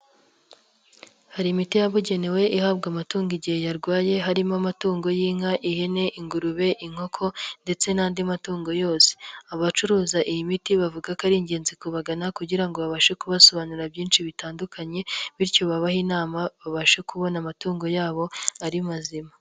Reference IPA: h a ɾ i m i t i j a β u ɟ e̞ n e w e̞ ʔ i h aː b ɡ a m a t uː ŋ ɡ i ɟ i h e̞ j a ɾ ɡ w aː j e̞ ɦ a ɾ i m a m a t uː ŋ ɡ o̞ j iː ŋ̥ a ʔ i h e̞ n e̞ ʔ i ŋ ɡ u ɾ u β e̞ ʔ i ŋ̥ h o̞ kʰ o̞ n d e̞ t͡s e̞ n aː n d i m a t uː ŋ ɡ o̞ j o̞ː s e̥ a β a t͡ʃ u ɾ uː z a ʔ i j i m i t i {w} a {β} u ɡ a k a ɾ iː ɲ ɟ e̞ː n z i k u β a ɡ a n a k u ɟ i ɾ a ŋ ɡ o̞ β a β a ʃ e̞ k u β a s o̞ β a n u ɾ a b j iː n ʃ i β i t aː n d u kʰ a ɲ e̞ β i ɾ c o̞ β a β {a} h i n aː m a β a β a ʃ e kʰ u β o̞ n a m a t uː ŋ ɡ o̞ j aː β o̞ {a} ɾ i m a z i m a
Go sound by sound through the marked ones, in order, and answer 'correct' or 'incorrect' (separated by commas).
incorrect, incorrect, correct, correct